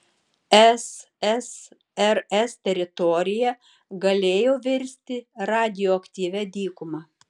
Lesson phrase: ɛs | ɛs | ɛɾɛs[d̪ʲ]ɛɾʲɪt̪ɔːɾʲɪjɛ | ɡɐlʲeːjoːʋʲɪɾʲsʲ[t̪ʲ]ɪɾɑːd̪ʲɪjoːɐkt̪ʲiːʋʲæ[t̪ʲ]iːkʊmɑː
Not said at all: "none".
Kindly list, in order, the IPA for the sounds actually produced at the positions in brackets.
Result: t̪ʲ, t̪ʲ, d̪ʲ

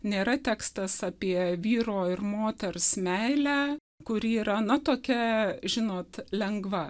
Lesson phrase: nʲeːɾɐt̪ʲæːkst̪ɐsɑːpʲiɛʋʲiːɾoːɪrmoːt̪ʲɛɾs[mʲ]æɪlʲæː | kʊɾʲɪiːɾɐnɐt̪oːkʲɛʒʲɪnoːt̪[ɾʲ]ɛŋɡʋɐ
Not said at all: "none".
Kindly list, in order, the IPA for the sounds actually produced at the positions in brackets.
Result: mʲ, lʲ

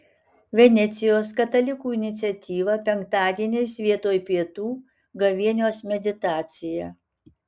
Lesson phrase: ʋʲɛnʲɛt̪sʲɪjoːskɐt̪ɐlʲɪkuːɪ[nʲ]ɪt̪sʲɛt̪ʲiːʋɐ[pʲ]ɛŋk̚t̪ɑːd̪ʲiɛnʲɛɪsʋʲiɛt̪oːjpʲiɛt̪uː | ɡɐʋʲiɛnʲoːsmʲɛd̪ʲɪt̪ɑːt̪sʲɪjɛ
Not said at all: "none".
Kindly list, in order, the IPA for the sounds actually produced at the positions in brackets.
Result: nʲ, pʲ

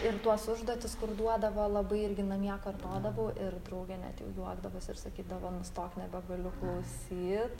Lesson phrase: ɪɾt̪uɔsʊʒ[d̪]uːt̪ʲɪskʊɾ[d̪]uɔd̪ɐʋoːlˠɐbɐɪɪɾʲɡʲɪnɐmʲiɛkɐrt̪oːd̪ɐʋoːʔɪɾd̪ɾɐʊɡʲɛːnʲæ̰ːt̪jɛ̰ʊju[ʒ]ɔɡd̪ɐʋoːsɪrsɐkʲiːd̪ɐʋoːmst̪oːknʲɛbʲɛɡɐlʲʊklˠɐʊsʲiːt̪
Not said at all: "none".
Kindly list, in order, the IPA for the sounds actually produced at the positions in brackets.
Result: d̪, d̪, none

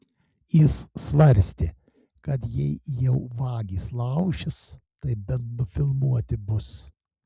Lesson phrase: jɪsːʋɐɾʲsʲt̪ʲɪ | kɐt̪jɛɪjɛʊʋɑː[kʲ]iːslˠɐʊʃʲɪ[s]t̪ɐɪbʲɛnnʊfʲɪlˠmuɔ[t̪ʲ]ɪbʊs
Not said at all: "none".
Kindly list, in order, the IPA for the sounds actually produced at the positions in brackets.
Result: ɡʲ, s, t̪ʲ

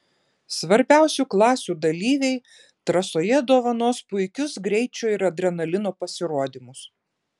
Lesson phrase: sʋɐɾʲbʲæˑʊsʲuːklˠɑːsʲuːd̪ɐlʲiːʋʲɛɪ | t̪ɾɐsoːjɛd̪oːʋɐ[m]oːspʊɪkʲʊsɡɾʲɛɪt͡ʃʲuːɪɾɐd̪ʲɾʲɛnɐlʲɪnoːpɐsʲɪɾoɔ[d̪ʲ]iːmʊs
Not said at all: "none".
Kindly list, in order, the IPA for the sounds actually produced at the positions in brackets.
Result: n, d̪ʲ

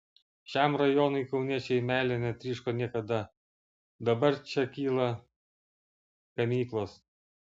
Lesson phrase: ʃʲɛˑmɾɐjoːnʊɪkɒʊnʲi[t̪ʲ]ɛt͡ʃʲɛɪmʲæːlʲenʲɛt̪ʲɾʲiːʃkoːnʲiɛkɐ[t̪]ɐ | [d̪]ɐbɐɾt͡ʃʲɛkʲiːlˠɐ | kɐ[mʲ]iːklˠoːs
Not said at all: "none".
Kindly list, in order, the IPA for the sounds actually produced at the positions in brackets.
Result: none, d̪, d̪, mʲ

